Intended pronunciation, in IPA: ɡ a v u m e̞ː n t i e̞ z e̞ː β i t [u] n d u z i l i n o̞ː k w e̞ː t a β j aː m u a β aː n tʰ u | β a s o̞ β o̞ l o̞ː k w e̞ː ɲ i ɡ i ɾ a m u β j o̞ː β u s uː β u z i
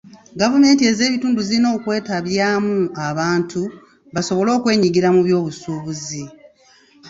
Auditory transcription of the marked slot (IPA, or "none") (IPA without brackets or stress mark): uː